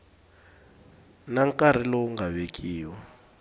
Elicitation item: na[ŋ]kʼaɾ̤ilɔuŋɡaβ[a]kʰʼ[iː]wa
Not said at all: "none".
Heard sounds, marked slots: ŋ, e, iː

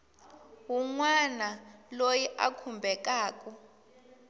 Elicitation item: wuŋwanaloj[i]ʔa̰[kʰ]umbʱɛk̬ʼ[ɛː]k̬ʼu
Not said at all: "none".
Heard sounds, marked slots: i, kʰ, aː

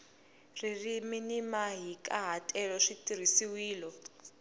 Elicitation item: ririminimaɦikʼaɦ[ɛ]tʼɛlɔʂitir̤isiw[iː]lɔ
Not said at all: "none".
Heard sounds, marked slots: a, iː

